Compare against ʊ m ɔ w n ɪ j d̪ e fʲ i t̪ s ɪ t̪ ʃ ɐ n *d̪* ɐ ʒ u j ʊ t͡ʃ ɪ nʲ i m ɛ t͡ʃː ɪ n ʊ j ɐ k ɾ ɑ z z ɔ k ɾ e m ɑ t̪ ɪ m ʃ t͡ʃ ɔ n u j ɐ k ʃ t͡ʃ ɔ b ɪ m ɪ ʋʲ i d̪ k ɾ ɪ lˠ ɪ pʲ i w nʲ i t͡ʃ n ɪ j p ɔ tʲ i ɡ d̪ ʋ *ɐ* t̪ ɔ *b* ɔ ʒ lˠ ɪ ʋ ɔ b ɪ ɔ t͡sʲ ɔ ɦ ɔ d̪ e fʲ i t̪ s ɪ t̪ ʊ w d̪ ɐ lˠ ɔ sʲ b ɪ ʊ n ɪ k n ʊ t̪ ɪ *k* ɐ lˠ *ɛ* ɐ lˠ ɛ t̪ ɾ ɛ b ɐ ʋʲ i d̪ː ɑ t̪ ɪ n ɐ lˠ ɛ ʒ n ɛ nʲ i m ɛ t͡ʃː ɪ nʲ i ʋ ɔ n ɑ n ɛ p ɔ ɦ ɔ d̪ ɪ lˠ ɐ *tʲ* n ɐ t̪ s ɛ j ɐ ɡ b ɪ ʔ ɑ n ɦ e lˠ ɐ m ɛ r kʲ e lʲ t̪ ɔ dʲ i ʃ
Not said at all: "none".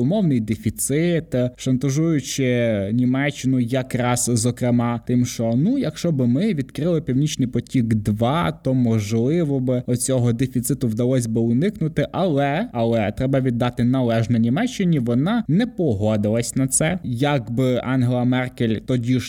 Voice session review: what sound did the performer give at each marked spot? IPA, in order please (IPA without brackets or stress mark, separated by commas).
t̪, ɑ, m, ʔ, ɛ, sʲ